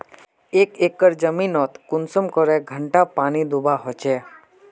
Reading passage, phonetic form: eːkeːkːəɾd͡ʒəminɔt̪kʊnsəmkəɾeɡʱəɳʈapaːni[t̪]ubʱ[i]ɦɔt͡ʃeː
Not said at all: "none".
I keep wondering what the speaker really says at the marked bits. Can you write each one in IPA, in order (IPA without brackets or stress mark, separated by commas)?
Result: d̪, a